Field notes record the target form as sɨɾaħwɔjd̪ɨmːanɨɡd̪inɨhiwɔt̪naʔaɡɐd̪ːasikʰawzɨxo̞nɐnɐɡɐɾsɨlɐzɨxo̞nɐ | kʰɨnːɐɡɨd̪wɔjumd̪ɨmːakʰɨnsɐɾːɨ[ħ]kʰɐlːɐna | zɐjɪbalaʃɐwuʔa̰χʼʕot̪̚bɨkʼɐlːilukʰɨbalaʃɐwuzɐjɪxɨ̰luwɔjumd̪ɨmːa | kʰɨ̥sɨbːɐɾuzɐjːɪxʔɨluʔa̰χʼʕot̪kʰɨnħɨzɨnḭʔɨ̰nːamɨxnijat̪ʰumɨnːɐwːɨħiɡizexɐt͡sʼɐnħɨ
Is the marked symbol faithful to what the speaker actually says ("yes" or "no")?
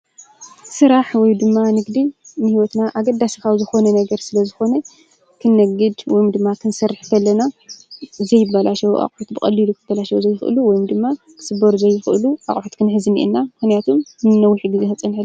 yes